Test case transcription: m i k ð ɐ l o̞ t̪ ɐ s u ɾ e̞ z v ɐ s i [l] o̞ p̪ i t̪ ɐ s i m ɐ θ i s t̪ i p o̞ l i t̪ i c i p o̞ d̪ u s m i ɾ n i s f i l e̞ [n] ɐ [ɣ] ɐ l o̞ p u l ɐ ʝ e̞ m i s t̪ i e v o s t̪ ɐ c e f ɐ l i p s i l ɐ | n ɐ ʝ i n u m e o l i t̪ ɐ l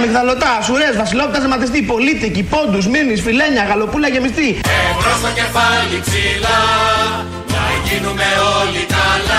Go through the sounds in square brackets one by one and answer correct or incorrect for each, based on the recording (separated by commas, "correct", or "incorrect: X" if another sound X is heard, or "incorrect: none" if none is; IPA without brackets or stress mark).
correct, incorrect: ɲ, correct